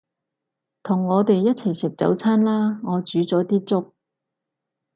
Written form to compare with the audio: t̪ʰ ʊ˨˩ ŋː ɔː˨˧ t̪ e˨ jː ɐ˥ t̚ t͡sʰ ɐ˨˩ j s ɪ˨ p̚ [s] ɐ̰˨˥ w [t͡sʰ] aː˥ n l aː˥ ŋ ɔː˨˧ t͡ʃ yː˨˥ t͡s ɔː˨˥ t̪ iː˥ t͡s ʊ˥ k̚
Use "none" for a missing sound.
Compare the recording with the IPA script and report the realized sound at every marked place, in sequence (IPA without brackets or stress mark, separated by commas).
t͡s, t͡sʰ